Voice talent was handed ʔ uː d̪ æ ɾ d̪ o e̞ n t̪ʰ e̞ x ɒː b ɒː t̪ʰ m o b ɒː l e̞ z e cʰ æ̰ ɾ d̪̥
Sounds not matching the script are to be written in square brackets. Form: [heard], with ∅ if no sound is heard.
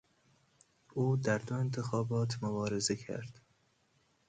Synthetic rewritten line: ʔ uː d̪ æ ɾ d̪ o e̞ n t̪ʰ e̞ x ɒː b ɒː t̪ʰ m o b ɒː [ɾ] e̞ z e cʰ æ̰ ɾ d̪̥